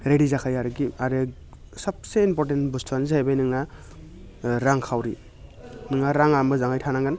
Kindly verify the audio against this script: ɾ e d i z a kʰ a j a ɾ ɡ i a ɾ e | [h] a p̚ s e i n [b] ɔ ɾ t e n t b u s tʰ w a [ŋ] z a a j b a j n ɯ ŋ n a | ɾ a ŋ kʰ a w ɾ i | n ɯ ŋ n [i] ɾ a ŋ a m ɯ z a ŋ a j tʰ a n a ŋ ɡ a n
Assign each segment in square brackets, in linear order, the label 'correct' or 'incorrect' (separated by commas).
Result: incorrect, incorrect, incorrect, incorrect